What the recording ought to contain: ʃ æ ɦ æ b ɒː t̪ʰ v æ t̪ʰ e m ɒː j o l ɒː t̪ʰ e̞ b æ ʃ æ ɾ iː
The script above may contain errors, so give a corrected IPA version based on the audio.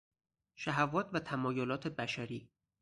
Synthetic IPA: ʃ æ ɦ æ v ɒː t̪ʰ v æ t̪ʰ æ m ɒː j o l ɒː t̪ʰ e̞ b æ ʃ æ ɾ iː